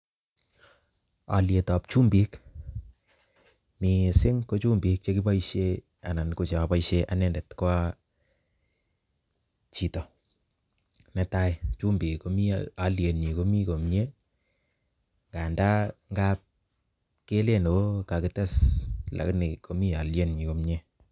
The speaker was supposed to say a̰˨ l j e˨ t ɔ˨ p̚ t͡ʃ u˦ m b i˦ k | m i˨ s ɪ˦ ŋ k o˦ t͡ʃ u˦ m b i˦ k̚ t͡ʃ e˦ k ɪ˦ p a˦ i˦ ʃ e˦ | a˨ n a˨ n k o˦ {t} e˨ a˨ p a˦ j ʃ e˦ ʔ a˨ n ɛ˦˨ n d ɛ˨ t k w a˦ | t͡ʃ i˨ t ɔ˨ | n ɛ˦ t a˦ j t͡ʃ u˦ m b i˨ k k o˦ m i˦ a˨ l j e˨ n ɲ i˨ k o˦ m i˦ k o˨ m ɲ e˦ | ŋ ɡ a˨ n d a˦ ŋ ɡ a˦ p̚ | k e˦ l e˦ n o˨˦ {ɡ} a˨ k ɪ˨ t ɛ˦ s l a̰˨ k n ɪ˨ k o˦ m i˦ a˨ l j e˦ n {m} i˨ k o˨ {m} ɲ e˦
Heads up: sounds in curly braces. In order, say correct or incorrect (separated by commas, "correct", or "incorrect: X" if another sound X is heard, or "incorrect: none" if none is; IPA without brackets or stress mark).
incorrect: t͡ʃ, incorrect: k, incorrect: ɲ, correct